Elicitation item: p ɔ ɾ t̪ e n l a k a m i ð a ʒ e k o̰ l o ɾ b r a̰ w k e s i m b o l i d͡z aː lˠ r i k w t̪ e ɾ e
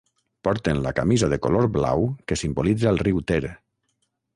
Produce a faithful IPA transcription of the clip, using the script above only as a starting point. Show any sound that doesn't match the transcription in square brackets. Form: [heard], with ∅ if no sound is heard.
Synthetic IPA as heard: p ɔ ɾ t̪ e n l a k a m i [z] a [ð] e k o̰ l o ɾ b [l] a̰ w k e s i m b o l i d͡z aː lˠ r i [∅] w t̪ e ɾ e